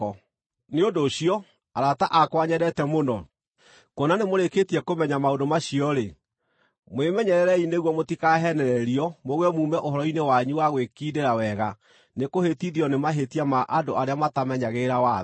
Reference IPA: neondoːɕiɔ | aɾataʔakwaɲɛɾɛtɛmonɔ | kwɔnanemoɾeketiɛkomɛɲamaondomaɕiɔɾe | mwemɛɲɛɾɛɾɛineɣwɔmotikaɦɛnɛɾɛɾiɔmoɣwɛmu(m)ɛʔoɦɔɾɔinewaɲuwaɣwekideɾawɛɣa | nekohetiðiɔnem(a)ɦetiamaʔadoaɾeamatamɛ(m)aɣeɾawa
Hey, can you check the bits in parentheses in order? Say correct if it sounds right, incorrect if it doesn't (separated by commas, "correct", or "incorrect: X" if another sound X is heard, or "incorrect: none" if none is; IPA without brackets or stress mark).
correct, correct, incorrect: ɲ